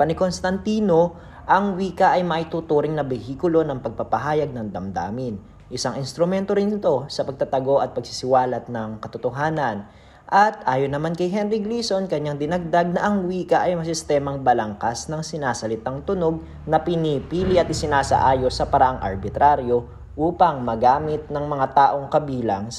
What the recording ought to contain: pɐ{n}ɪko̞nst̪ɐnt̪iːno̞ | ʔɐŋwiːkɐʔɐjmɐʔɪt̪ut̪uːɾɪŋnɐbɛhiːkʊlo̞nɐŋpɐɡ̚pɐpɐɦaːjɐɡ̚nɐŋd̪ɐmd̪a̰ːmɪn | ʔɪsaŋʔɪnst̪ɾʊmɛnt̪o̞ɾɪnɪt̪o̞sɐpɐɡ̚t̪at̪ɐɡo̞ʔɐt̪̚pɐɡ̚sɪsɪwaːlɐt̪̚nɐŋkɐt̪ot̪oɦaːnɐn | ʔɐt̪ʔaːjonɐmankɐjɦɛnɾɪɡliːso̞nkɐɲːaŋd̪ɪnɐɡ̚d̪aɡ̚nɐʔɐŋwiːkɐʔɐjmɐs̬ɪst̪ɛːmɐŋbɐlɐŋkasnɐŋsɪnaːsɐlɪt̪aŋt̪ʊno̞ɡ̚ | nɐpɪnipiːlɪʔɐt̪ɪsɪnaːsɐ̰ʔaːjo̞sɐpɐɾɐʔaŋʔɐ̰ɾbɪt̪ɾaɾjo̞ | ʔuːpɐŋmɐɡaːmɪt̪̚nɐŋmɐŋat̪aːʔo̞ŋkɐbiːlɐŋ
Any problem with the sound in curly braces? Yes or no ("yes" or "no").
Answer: no